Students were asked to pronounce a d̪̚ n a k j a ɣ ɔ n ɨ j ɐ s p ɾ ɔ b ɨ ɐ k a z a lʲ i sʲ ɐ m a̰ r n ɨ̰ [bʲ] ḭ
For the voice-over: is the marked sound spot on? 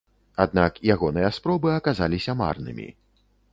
no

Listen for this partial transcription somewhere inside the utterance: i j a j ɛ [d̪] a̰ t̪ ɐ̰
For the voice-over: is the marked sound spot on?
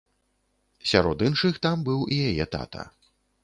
no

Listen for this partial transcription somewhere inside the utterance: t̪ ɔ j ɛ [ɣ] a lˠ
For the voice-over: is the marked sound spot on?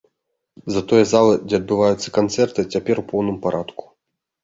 no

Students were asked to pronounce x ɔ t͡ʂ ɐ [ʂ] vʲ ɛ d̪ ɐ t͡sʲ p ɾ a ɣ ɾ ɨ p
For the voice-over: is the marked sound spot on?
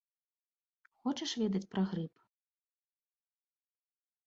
yes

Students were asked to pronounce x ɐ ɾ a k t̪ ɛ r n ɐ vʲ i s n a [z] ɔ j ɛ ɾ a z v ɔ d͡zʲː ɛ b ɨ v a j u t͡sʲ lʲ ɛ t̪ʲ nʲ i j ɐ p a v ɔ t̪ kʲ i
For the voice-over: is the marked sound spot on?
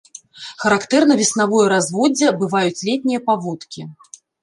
no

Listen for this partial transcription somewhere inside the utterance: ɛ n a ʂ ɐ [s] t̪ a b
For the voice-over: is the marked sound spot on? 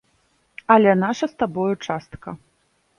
yes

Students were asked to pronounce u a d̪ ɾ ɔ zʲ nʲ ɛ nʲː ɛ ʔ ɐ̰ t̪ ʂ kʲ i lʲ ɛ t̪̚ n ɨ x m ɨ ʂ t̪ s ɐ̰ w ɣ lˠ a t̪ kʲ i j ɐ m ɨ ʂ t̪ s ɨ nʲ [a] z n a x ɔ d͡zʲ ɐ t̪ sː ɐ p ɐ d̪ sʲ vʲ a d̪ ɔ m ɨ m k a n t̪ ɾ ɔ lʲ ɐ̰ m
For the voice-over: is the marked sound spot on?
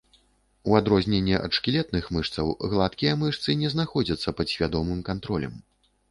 no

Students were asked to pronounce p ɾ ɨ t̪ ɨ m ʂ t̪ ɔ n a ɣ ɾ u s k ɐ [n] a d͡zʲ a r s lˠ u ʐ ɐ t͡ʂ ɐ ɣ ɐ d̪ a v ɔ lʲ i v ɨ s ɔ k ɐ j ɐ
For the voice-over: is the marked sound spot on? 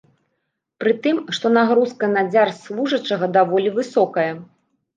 yes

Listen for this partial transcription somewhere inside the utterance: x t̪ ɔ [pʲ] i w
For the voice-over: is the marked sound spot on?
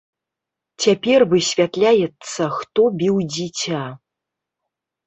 no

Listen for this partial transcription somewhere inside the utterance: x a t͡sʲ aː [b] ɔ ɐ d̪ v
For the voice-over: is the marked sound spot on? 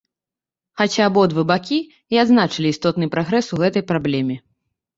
yes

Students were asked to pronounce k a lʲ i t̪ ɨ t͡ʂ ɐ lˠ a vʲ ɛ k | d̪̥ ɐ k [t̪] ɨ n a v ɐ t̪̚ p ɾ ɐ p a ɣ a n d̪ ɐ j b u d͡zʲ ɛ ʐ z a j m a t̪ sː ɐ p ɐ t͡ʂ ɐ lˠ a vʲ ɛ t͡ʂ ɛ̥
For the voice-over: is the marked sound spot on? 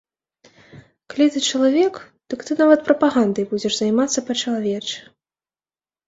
yes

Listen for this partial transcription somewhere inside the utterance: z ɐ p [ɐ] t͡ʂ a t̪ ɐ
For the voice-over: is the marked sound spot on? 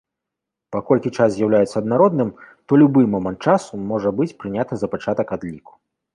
no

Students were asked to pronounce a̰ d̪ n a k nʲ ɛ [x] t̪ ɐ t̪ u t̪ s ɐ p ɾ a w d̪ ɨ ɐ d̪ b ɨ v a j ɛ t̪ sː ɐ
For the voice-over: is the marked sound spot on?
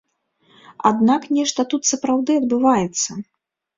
no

